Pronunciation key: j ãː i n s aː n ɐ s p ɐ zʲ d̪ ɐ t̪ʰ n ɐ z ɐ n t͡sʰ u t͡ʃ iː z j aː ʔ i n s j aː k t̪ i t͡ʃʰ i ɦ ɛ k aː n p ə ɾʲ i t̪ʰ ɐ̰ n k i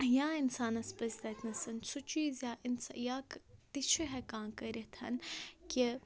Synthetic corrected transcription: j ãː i n s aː n ɐ s p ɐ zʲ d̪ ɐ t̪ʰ n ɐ s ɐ n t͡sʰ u t͡ʃ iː z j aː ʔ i n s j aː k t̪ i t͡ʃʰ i ɦ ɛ k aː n k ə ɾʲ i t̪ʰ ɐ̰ n k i